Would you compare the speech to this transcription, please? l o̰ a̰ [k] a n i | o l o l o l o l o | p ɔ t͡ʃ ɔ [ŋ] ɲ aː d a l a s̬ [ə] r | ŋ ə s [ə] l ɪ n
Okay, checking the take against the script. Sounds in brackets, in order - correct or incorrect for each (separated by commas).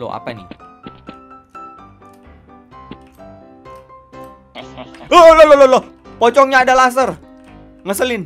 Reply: incorrect, correct, correct, correct